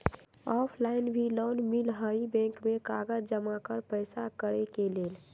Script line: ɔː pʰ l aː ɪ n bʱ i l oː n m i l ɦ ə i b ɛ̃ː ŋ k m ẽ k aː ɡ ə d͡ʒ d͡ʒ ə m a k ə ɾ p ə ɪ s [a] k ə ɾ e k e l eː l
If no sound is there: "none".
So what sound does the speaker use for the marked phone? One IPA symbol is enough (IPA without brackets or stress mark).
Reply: a